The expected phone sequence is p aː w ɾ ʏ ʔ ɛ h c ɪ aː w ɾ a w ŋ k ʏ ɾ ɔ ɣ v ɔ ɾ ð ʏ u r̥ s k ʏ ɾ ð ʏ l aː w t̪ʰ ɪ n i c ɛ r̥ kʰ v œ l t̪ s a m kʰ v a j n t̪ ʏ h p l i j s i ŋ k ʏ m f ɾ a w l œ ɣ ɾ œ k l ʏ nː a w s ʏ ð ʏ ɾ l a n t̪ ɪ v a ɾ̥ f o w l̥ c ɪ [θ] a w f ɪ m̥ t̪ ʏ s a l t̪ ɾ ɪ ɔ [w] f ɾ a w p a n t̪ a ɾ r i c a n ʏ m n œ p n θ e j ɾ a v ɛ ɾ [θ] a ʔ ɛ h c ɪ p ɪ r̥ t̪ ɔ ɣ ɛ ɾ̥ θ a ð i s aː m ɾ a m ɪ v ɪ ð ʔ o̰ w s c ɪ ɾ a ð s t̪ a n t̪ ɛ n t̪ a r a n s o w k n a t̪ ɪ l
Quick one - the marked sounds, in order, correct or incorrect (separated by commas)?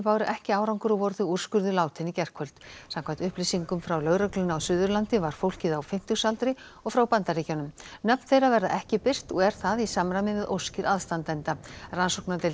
incorrect, incorrect, incorrect